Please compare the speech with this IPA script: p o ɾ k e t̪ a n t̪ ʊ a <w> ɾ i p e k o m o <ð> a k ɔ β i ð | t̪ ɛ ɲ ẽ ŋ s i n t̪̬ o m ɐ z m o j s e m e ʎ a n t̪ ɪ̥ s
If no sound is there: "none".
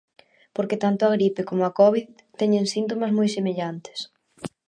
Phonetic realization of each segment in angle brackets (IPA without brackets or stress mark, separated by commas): ɣ, none